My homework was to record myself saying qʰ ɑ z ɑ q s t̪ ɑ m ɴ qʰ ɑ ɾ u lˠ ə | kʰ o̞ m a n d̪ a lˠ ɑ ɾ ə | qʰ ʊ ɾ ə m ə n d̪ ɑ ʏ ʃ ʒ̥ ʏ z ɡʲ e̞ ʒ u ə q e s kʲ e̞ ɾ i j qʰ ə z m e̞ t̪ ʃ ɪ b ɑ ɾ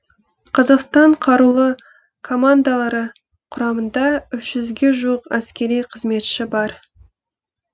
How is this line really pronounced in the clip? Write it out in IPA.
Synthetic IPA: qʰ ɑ z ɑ q s t̪ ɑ ɴ qʰ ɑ ɾ u lˠ ə | kʰ o̞ m a n d̪ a lˠ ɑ ɾ ə | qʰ ʊ ɾ ɑ m ə n d̪ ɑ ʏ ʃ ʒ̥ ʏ z ɡʲ e̞ ʒ u ə q æ s kʲ e̞ ɾ i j qʰ ə z m e̞ t̪ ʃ ɪ b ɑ ɾ